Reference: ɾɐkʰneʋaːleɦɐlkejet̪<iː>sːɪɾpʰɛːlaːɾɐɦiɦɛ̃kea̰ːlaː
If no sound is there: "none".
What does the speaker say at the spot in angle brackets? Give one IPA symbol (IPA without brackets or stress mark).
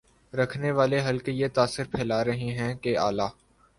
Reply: aː